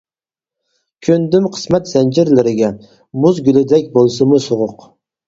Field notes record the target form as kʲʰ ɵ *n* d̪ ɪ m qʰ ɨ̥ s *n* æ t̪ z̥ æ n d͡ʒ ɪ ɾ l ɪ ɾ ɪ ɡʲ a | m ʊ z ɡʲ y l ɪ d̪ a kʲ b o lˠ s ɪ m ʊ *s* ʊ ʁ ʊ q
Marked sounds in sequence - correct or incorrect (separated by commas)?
correct, incorrect, correct